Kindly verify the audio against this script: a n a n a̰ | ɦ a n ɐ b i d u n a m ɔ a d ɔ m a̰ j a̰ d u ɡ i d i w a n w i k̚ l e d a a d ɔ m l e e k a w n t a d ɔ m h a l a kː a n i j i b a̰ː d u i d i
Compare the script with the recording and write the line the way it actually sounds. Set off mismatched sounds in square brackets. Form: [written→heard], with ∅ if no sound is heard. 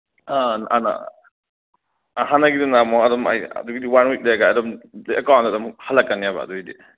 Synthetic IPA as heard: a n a n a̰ | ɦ a n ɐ [b→ɡ] i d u n a m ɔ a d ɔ m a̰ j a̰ d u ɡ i d i w a n w i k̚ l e [d→ɡ] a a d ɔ m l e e k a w n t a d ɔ m h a l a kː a n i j [i→a] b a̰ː d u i d i